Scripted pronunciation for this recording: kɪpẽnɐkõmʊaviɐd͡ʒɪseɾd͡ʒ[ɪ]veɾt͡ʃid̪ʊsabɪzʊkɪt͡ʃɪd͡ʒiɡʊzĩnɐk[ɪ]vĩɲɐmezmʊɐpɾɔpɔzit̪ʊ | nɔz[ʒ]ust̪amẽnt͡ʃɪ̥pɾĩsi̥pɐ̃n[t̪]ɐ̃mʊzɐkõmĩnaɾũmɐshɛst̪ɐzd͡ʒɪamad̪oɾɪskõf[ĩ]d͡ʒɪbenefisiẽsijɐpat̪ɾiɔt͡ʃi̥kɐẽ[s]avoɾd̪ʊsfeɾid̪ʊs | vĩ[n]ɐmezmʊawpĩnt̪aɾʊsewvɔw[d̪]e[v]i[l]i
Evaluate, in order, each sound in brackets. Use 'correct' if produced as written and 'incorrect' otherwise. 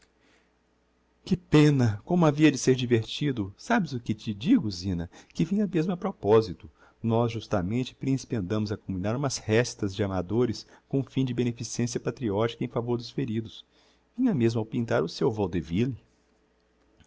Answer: incorrect: i, correct, correct, incorrect: d̪, correct, incorrect: f, incorrect: ɲ, correct, correct, correct

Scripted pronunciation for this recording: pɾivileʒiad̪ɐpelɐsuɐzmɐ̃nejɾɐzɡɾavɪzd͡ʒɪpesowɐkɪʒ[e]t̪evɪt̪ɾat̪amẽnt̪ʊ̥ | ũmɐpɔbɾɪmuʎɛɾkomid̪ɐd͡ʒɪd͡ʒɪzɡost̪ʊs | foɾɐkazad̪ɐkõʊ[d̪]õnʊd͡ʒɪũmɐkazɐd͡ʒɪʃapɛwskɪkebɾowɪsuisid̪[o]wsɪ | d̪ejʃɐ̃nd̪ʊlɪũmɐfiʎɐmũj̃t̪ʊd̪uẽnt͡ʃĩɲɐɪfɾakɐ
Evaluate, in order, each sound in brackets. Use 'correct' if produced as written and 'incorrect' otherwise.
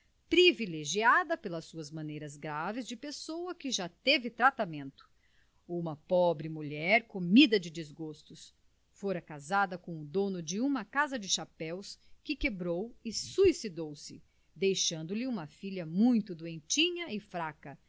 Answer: incorrect: a, correct, correct

